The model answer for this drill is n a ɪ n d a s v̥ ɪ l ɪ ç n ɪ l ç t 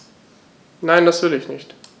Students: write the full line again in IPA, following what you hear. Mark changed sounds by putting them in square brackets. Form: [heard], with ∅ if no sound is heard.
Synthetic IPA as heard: n a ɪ n d a s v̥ ɪ l ɪ ç n ɪ [∅] ç t